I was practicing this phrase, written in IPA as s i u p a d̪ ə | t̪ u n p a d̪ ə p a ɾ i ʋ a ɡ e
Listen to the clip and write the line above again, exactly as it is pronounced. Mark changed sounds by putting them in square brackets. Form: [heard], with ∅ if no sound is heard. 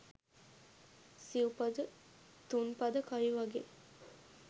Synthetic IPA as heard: s i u p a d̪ ə | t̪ u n p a d̪ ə [k] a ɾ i ʋ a ɡ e